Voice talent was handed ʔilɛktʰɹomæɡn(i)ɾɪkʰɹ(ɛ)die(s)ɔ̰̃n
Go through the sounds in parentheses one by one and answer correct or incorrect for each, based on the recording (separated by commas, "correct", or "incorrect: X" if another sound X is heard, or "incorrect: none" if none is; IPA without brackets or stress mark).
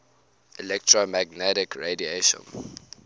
incorrect: ɛ, incorrect: e, incorrect: ʃ